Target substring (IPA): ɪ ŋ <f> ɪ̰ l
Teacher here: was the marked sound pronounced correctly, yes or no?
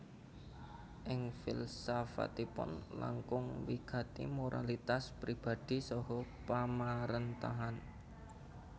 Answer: yes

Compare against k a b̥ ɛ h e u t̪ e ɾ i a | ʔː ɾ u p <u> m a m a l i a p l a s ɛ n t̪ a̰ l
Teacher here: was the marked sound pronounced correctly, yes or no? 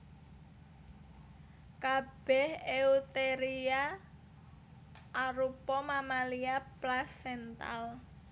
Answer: no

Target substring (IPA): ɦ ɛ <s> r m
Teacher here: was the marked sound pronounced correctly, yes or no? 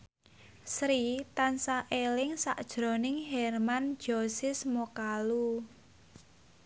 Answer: no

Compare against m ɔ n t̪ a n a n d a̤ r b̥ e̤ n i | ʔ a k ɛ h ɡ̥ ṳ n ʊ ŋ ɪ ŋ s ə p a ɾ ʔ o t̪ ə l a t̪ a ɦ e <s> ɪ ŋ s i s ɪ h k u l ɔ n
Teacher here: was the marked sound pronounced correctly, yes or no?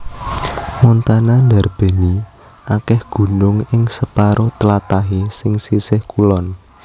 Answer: yes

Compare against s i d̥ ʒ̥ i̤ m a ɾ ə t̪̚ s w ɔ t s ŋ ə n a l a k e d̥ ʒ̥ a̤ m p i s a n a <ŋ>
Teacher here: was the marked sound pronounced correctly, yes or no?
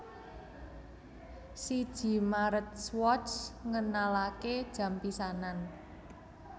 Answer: no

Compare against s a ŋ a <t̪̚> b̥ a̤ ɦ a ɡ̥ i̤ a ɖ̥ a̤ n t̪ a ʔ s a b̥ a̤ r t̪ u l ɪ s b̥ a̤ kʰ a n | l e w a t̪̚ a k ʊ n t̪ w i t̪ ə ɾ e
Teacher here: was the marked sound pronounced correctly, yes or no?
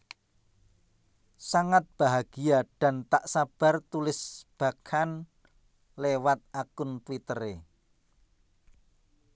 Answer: yes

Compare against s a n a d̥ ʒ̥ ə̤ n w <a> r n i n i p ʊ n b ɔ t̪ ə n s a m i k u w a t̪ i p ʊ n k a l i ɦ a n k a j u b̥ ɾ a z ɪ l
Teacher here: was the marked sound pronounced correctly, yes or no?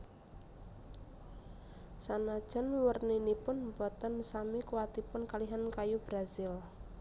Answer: no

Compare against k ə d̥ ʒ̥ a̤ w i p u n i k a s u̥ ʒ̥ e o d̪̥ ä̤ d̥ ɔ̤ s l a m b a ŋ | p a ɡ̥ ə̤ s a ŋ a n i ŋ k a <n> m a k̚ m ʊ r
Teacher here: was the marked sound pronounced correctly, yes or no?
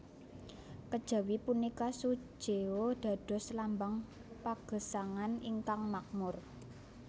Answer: no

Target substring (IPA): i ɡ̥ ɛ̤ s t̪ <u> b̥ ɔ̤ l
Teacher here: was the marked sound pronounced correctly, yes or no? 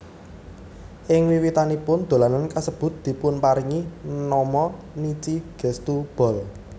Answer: yes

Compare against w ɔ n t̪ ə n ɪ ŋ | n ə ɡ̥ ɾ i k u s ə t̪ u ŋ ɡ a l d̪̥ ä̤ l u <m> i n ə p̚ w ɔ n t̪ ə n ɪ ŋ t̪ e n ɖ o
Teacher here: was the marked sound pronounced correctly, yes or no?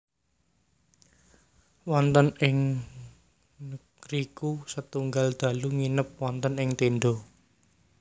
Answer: no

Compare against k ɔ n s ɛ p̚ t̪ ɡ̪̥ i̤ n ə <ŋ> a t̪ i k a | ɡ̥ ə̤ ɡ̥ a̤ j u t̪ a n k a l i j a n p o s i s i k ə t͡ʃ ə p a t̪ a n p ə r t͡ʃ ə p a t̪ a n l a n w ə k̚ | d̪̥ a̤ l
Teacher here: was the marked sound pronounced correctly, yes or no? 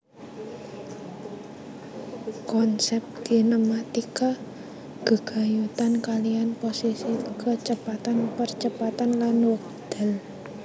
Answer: no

